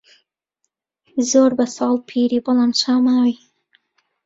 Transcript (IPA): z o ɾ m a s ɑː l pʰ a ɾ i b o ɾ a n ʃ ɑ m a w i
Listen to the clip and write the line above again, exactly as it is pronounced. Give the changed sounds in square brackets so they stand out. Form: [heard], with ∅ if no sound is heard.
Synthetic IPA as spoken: z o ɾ [b] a s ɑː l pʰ [i] ɾ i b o [l] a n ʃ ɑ m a w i